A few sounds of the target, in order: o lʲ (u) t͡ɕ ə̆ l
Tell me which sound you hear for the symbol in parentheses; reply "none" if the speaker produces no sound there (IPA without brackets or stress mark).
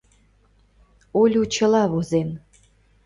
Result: u